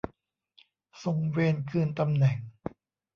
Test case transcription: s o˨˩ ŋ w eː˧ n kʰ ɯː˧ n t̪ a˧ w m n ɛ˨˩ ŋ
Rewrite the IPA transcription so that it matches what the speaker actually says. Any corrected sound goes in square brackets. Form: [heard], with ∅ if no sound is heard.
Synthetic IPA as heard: s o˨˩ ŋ w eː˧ n kʰ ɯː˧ n t̪ a˧ [∅] m n ɛ˨˩ ŋ